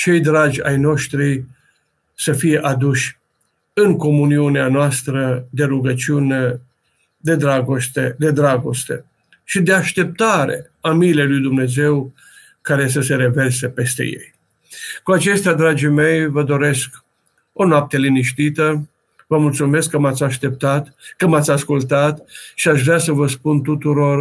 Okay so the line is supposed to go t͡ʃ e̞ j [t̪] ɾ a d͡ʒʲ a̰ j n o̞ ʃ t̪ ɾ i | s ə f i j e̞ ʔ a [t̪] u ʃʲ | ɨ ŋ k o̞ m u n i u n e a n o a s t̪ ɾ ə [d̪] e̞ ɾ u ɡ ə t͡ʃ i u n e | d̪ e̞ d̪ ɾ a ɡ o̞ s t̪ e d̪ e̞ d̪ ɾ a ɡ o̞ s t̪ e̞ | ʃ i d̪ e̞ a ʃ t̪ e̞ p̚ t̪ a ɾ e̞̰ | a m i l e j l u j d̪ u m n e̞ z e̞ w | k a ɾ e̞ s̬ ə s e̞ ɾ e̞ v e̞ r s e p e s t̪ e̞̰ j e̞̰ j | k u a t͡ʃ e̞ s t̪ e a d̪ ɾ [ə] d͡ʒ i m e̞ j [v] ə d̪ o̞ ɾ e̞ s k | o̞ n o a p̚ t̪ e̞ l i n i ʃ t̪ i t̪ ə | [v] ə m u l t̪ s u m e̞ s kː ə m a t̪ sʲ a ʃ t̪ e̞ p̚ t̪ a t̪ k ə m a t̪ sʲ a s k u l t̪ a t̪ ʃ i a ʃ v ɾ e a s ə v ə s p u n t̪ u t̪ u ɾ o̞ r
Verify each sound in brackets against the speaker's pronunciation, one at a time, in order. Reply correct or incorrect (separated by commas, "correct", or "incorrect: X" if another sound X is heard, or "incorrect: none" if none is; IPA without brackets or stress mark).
incorrect: d̪, incorrect: d̪, correct, incorrect: a, correct, correct